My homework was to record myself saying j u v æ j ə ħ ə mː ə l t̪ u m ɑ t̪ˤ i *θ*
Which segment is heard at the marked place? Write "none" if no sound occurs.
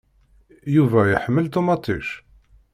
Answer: ʃ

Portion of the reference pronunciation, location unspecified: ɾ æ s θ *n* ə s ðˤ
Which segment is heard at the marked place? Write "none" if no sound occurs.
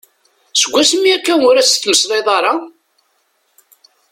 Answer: m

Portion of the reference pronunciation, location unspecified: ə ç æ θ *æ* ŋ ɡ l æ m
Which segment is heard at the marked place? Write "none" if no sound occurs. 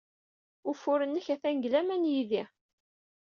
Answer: æ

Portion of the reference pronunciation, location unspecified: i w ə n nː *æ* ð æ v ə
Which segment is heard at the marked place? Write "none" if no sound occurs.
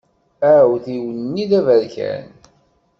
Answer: i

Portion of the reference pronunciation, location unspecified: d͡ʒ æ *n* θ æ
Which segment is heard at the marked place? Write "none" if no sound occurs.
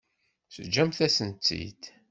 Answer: m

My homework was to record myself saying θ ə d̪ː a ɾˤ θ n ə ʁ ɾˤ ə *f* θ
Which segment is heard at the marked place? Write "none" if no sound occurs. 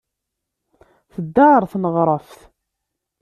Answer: f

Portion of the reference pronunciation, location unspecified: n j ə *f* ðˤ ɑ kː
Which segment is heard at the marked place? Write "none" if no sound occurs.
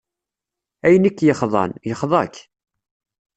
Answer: χ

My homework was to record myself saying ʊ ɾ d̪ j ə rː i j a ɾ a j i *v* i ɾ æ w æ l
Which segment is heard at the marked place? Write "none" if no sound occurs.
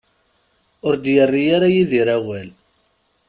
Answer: ð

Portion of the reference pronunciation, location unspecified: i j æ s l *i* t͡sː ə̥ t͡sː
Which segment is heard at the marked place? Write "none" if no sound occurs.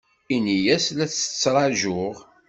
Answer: æ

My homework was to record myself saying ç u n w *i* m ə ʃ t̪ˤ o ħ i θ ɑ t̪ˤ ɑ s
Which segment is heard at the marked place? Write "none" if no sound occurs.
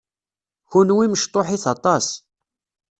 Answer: i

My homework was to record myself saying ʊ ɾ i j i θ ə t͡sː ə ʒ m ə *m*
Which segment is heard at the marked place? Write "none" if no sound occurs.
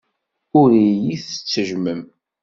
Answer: m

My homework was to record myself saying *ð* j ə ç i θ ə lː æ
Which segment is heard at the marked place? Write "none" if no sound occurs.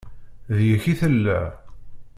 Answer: ð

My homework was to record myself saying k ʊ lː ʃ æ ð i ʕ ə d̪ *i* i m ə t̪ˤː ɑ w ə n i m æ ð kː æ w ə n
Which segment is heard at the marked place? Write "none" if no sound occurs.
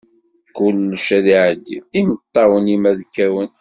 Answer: i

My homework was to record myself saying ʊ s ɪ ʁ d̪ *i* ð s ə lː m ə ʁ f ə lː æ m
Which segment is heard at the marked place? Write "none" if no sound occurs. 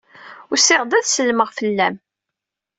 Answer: æ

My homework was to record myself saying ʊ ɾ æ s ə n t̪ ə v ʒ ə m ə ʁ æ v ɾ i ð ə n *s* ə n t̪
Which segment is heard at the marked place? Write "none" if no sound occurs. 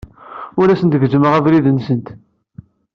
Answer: s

